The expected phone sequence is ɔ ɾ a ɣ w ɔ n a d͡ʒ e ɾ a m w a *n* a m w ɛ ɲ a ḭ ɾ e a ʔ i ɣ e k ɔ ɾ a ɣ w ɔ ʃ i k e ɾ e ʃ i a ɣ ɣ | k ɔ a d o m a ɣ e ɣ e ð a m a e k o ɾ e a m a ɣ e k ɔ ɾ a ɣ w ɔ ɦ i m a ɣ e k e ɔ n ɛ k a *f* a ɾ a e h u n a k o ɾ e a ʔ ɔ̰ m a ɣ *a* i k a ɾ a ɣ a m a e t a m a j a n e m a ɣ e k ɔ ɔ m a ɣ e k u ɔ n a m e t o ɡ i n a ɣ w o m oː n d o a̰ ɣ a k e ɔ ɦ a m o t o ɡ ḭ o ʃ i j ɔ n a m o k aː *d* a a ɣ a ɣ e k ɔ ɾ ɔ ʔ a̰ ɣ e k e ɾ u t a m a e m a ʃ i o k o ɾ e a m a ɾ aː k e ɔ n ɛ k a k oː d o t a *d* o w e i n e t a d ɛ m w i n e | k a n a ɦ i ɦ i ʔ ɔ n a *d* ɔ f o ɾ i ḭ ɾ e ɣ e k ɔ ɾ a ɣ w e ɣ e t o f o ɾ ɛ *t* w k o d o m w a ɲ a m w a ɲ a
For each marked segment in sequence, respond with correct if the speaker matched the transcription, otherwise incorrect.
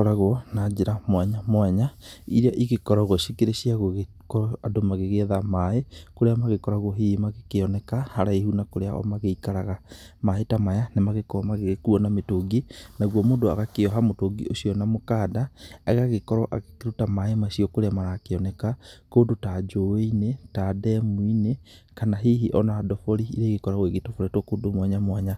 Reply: incorrect: ɲ, incorrect: h, incorrect: e, correct, incorrect: d͡ʒ, correct, correct

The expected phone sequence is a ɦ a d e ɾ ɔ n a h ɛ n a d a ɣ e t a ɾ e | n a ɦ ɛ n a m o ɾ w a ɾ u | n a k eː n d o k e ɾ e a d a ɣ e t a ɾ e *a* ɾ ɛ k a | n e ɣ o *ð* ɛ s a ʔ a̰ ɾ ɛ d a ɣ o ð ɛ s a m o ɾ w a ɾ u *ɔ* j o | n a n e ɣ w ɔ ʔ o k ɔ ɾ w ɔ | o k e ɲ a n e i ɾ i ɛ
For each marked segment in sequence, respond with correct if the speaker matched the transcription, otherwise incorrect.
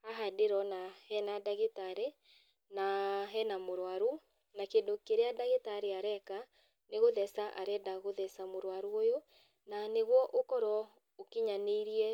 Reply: correct, correct, incorrect: o

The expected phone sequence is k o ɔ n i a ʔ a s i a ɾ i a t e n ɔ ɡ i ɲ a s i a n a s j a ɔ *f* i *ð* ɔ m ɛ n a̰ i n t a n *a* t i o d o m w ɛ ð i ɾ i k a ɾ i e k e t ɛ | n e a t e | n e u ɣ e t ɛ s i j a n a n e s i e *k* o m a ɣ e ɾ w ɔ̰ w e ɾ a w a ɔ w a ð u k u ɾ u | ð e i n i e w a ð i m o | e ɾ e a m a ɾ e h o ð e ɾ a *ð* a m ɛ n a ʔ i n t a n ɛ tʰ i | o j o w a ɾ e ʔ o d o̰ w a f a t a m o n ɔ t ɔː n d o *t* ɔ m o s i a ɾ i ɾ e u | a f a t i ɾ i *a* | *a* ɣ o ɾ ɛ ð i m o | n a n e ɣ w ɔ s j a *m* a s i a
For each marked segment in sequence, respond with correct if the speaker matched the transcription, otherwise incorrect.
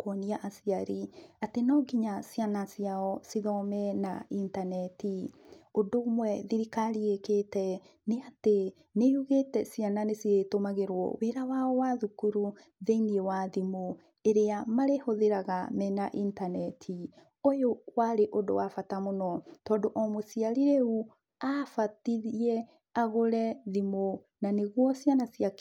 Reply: incorrect: s, correct, incorrect: ɛ, incorrect: t, incorrect: ɣ, incorrect: ʔ, incorrect: ɛ, correct, incorrect: n

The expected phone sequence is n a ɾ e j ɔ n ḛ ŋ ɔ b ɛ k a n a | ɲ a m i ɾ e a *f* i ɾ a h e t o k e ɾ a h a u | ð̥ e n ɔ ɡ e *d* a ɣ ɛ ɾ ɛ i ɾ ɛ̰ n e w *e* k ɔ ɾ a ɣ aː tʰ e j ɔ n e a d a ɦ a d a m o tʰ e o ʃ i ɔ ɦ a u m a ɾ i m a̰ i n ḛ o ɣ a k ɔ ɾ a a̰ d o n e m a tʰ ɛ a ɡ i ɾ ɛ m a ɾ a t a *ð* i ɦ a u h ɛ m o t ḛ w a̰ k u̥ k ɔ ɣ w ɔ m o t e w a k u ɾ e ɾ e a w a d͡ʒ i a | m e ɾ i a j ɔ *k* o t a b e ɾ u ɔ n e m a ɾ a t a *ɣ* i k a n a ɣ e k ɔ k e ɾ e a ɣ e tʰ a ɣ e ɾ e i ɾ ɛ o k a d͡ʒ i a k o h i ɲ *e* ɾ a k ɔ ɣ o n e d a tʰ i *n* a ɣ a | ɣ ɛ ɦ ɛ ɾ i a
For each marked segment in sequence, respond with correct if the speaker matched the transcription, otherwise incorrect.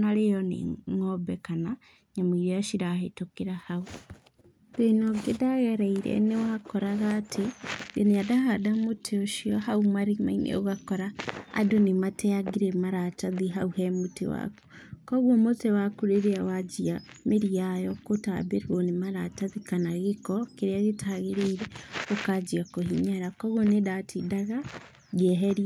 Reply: incorrect: ʃ, correct, incorrect: a, correct, correct, incorrect: ð, incorrect: a, incorrect: d

